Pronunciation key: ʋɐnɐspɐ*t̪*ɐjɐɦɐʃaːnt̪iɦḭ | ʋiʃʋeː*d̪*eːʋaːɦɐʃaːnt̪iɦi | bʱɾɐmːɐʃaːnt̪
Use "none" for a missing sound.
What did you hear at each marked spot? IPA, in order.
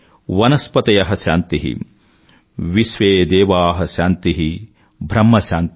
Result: t̪, d̪

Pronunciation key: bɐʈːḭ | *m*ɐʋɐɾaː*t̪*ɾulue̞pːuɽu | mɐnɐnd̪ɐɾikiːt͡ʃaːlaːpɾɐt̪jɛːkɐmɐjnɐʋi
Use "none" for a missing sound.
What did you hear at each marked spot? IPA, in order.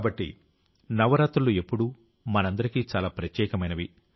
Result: n, t̪

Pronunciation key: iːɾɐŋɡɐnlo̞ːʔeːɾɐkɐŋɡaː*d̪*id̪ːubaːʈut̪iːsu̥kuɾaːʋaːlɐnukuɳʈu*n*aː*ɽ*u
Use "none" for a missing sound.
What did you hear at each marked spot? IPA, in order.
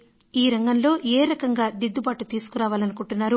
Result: d̪, nː, ɾ

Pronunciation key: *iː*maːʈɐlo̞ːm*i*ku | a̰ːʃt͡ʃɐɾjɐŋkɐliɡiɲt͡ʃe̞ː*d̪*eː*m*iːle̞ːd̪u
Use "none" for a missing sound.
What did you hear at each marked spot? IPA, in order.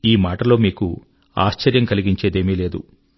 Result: iː, iː, d̪, m

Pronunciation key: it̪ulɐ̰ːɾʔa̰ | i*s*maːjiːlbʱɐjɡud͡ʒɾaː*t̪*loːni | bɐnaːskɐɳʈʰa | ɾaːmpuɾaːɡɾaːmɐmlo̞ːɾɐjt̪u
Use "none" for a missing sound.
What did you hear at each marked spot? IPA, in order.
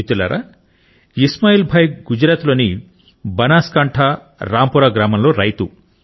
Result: s, t̪

